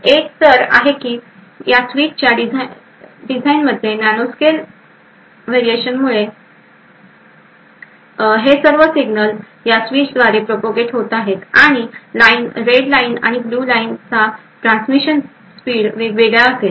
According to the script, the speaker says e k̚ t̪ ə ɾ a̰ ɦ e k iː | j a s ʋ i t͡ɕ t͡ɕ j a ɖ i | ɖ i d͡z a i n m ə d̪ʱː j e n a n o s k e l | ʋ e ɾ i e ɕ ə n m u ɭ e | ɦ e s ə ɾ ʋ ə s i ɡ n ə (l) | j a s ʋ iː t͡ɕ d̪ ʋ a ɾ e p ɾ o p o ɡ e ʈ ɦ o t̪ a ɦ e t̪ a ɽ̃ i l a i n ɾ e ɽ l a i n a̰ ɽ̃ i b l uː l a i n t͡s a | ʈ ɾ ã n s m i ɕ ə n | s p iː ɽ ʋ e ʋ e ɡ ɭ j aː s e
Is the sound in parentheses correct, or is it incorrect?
correct